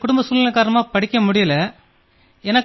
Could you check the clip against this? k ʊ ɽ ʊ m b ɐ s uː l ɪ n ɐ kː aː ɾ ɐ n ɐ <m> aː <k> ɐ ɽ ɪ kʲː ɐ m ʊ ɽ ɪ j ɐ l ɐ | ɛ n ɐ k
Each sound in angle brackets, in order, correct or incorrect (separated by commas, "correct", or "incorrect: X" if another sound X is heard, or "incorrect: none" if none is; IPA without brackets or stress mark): correct, incorrect: p